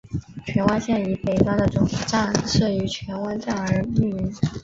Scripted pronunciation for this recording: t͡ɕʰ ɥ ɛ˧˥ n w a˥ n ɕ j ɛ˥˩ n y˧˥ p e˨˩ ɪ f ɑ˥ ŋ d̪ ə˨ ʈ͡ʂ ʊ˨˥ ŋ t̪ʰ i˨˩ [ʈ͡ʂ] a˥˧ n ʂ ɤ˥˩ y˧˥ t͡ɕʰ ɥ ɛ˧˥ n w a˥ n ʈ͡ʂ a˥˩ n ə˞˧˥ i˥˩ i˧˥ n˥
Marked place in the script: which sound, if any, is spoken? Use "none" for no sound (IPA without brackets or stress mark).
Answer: ʈ͡ʂ